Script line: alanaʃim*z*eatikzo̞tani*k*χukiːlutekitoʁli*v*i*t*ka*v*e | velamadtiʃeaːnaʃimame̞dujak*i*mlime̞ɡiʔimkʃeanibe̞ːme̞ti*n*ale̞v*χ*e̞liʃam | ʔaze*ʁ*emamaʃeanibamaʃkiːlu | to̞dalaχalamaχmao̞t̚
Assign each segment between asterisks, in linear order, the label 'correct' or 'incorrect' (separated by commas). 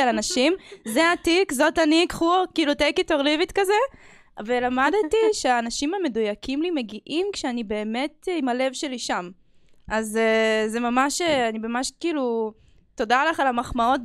correct, correct, correct, correct, incorrect, correct, incorrect, incorrect, incorrect